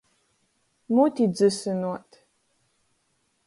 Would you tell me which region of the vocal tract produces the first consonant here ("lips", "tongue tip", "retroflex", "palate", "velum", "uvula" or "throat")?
lips